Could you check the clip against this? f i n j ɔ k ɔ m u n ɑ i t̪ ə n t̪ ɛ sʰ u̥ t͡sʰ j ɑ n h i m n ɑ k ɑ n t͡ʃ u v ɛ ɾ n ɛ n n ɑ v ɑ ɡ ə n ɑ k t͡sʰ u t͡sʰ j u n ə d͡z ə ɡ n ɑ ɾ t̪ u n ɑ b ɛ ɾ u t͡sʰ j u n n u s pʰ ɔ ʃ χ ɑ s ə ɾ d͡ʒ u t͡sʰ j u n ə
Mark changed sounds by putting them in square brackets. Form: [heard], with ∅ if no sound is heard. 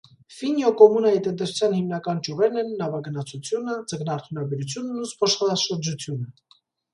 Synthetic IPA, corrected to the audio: f i n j ɔ k ɔ m u n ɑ i t̪ ə n t̪ ɛ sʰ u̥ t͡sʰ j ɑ n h i m n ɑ k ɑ n t͡ʃ u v ɛ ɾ n ɛ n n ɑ v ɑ ɡ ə n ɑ [∅] t͡sʰ u t͡sʰ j u n ə d͡z ə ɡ n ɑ ɾ [t̪ʰ] u n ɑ b ɛ ɾ u t͡sʰ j u n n u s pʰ ɔ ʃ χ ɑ [ʃ] ə ɾ d͡ʒ u t͡sʰ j u n ə